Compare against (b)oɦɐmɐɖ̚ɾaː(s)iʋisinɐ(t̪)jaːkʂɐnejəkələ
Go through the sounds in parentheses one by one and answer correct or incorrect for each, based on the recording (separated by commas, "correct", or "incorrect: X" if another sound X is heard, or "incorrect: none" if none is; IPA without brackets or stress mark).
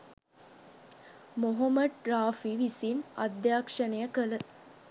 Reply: incorrect: m, incorrect: f, incorrect: d̪